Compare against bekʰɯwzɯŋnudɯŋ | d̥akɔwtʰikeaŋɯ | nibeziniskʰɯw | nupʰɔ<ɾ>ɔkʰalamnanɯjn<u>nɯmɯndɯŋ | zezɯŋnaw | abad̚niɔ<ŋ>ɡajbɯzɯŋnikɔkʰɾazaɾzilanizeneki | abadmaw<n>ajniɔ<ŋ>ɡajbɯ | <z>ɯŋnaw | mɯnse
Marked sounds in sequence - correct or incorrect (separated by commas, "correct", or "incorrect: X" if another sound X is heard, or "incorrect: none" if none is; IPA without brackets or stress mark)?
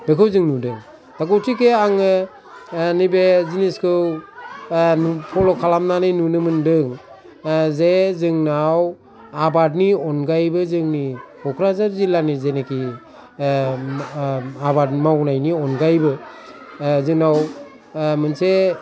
incorrect: l, correct, incorrect: n, correct, incorrect: n, correct